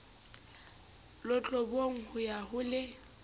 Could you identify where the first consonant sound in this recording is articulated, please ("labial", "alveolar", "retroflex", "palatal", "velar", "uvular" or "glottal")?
alveolar